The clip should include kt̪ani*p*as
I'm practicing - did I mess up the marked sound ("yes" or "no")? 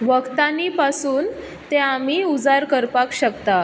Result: no